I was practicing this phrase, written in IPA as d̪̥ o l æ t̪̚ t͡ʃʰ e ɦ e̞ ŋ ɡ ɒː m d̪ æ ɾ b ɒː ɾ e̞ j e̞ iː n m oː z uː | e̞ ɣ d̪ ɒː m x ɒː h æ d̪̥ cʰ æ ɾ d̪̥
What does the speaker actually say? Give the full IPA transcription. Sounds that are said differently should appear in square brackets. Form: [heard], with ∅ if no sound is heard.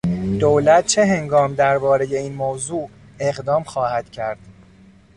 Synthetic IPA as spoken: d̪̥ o l æ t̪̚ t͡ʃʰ e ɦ e̞ ŋ ɡ ɒː m d̪ æ ɾ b ɒː ɾ e̞ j e̞ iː n m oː z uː | e̞ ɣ d̪ ɒː m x ɒː h æ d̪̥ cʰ æ ɾ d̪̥